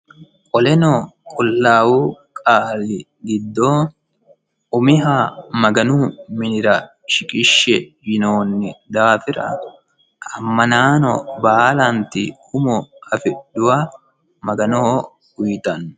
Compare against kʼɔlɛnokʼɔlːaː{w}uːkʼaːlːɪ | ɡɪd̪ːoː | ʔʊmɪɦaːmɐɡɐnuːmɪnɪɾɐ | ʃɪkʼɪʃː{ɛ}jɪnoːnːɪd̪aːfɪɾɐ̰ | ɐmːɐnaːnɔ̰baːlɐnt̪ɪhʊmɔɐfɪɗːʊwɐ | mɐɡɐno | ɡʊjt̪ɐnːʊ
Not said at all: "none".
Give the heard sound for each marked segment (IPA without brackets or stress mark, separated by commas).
w, ɛ